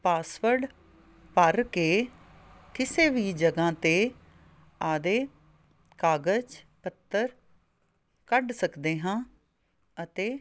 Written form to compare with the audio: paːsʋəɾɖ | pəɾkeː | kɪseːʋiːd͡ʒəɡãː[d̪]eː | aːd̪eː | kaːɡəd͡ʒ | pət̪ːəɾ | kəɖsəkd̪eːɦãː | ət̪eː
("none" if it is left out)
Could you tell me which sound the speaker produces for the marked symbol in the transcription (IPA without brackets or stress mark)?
t̪